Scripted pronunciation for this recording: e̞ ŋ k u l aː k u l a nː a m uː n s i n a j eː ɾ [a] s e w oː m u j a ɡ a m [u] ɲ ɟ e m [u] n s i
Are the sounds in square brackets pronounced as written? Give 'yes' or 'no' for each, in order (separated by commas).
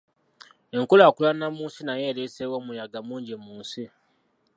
no, no, no